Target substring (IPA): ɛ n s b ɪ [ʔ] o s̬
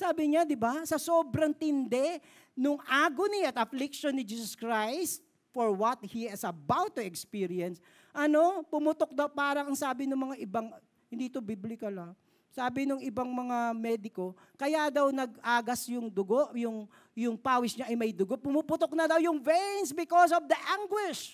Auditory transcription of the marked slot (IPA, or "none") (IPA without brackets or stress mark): k